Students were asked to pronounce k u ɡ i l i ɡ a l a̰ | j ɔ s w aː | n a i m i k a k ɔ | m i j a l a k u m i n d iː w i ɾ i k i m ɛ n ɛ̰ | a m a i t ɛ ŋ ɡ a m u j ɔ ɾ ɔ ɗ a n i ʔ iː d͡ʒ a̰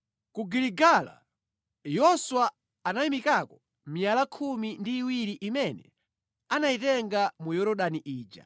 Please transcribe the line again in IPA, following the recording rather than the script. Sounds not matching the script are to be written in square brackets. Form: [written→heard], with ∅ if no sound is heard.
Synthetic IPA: k u ɡ i l i ɡ a l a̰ | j ɔ s w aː | n a i m i k a k ɔ | m i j a l a [k→kʰ] u m i n d iː w i ɾ i [k→ʔ] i m ɛ n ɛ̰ | a [m→n] a i t ɛ ŋ ɡ a m u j ɔ ɾ ɔ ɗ a n i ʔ iː d͡ʒ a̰